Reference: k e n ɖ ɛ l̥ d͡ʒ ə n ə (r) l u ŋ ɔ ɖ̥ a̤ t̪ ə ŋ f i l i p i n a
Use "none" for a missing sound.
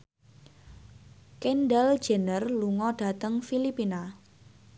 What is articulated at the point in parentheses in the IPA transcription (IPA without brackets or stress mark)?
r